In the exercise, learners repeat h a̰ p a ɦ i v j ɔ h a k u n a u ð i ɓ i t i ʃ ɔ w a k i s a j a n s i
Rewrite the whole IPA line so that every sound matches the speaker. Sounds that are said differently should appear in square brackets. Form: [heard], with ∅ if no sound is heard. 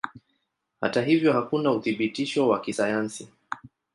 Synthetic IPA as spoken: h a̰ [t] a ɦ i v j ɔ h a k u n a u [θ] i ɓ i t i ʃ ɔ w a k i s a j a n s i